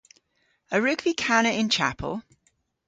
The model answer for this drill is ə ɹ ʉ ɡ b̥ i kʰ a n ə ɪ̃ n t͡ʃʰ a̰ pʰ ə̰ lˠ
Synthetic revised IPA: ə ɹ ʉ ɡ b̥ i kʰ a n ə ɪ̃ n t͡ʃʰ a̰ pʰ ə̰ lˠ